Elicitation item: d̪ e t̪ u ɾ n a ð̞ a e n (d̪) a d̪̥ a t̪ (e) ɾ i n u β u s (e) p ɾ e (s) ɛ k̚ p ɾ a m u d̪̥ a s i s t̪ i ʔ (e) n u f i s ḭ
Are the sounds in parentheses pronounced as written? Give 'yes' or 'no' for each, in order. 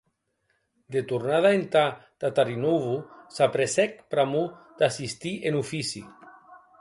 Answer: no, no, no, yes, yes

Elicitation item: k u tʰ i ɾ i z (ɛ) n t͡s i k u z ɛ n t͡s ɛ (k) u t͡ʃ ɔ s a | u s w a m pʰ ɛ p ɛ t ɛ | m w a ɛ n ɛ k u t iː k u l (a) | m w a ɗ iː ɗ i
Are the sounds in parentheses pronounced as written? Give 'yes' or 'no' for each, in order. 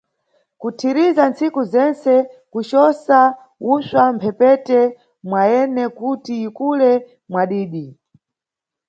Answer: no, yes, no

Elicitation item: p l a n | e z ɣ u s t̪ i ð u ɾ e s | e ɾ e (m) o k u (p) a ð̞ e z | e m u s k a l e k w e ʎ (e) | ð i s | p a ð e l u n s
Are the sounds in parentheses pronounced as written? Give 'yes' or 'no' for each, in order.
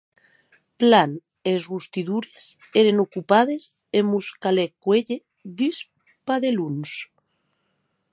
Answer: no, yes, yes

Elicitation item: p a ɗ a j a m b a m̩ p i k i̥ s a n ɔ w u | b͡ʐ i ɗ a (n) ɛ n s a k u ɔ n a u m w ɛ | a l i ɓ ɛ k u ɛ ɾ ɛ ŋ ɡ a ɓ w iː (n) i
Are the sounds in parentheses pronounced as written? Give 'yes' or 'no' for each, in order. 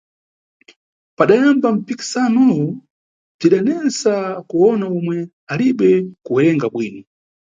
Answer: yes, yes

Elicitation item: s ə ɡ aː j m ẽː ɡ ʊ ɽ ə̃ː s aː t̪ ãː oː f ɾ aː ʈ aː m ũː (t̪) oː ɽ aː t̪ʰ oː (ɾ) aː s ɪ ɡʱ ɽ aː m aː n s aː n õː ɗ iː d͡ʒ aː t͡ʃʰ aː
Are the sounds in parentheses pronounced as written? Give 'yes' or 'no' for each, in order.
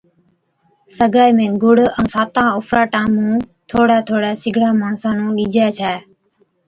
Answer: no, no

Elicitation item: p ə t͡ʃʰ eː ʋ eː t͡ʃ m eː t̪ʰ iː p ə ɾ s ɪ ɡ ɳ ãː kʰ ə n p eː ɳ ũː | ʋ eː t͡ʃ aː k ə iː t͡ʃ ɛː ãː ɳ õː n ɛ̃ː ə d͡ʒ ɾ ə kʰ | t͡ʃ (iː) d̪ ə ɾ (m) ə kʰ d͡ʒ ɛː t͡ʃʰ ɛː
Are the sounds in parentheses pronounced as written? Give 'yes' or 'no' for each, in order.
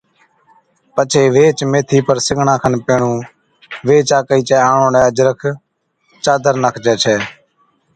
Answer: no, no

